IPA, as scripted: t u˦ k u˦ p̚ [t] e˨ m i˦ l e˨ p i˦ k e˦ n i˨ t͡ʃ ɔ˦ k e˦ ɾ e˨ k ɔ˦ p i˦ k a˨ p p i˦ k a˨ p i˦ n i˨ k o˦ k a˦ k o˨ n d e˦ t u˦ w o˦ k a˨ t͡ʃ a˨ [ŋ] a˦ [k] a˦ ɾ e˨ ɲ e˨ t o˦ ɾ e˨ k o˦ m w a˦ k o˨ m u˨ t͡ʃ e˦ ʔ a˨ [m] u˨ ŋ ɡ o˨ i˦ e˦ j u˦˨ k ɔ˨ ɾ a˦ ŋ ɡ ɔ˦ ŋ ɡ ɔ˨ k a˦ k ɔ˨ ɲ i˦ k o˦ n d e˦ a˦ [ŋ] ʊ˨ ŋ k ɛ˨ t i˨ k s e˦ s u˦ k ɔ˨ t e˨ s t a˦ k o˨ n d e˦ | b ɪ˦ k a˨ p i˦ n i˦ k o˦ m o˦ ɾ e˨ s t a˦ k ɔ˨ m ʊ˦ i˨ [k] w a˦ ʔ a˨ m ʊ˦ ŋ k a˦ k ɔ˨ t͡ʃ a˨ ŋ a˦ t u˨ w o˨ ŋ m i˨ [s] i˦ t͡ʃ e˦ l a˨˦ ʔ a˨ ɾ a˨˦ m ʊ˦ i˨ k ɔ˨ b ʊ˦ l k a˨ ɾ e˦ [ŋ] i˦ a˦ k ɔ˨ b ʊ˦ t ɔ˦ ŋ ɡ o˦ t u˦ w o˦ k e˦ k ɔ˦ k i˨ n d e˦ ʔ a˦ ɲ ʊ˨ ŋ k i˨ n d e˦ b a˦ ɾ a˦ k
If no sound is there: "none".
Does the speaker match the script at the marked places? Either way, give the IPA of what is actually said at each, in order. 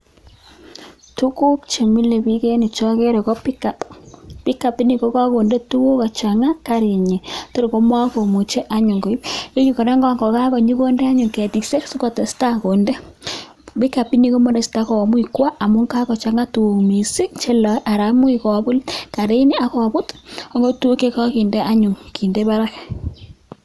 t͡ʃ, ŋ, k, ɲ, ɲ, k, s, n

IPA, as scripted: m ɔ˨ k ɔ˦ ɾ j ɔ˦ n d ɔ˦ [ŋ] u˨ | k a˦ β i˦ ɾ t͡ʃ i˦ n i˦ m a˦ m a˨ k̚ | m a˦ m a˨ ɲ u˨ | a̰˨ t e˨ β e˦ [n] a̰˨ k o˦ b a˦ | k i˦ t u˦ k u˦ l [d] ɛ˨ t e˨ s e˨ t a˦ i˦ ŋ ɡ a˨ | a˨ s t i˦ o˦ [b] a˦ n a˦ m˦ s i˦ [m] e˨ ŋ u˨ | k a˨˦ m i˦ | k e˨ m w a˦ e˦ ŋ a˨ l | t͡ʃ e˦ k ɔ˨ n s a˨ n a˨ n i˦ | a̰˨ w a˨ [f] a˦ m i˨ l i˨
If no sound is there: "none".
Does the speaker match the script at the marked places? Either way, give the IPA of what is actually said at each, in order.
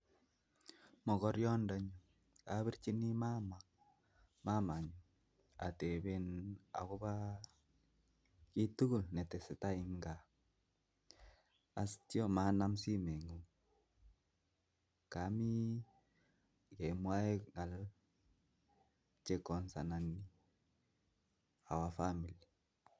ɲ, n, n, m, m, f

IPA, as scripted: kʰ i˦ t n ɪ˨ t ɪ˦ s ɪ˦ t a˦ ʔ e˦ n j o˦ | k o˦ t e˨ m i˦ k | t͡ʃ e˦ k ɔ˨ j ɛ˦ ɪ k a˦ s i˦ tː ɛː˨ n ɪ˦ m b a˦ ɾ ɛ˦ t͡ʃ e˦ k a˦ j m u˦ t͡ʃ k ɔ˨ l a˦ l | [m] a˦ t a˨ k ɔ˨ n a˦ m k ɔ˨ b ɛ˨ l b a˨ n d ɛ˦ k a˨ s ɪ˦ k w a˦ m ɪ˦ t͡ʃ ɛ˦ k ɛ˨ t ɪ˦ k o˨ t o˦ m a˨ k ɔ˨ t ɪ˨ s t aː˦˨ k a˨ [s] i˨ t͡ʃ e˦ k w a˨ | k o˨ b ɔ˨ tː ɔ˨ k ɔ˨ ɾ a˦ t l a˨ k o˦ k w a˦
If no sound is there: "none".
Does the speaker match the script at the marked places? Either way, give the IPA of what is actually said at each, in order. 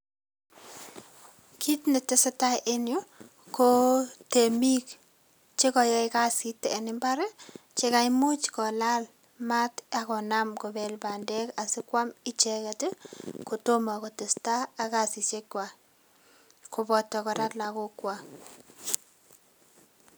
m, s

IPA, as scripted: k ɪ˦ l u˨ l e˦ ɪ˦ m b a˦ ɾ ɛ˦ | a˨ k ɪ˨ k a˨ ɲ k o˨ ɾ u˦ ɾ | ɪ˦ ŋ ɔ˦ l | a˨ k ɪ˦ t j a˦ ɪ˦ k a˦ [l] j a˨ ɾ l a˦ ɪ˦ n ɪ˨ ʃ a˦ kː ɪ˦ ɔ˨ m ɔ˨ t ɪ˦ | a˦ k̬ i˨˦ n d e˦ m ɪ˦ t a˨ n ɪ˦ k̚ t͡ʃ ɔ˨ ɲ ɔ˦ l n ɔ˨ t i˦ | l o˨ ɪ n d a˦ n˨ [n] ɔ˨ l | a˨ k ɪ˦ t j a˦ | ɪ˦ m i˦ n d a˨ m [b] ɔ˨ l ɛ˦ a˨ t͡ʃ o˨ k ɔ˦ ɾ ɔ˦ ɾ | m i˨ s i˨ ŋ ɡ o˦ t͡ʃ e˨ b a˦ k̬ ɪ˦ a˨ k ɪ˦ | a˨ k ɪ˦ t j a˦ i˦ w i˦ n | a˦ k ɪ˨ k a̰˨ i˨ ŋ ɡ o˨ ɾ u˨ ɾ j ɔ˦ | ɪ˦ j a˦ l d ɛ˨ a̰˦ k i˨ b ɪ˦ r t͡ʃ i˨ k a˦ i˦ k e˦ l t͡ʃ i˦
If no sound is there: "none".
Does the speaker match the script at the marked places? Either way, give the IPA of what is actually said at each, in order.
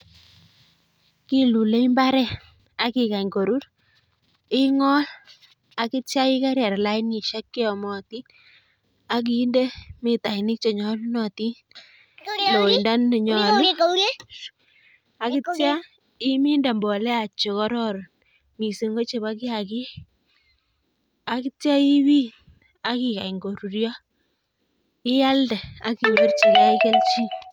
ɾ, ɲ, b

